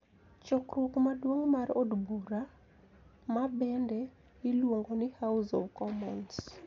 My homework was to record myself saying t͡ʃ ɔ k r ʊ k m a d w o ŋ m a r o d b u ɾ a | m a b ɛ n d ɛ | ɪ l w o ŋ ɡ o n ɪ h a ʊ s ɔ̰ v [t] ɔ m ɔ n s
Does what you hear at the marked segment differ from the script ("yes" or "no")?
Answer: yes